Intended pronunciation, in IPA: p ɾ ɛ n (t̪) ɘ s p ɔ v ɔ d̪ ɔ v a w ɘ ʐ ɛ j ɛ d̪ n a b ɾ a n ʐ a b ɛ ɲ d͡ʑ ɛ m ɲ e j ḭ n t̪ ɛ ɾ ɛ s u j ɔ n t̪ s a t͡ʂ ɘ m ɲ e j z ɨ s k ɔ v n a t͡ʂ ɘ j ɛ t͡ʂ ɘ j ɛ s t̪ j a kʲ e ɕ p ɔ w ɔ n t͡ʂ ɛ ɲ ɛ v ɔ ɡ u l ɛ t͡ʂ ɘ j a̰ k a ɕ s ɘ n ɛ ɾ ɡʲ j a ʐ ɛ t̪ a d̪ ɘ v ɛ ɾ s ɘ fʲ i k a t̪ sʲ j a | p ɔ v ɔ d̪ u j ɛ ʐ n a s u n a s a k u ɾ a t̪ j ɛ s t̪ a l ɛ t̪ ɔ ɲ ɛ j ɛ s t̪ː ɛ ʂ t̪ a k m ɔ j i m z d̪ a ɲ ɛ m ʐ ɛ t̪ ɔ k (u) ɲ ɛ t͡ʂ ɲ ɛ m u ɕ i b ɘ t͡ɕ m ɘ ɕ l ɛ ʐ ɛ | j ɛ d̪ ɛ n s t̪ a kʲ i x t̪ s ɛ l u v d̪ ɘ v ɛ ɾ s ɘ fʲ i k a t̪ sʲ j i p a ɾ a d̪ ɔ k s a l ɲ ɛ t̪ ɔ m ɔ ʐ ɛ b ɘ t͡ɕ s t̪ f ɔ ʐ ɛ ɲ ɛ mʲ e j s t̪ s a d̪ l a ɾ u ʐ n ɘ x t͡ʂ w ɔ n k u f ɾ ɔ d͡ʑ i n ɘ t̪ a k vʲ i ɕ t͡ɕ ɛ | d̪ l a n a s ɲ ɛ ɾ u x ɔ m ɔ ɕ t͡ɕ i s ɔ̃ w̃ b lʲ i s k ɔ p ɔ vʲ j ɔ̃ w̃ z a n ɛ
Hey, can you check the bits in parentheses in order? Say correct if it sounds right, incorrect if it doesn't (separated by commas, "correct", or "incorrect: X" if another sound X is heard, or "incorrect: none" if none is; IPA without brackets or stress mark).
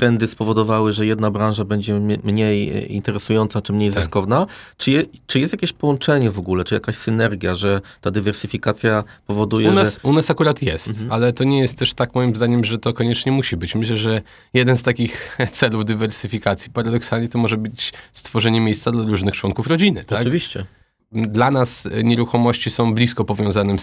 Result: incorrect: d̪, incorrect: ɔ